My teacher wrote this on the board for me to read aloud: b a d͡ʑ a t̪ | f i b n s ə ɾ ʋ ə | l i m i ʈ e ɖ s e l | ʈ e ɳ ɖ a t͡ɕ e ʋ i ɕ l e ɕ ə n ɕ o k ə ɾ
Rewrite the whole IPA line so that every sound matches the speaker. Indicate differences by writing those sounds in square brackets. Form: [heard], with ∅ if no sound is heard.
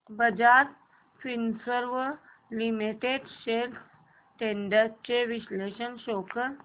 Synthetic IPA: b [ə] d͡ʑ a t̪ | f i [∅] n s ə ɾ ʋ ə | l i m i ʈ e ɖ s e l | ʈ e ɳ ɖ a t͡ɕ e ʋ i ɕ l e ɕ ə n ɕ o k ə ɾ